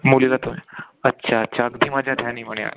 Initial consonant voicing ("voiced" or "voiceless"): voiced